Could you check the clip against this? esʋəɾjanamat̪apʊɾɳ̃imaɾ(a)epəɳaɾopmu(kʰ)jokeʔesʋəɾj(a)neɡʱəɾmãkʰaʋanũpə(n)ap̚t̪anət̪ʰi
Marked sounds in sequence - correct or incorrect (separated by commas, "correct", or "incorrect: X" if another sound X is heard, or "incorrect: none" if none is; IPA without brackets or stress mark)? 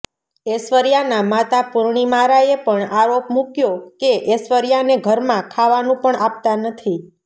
correct, incorrect: k, correct, incorrect: ɳ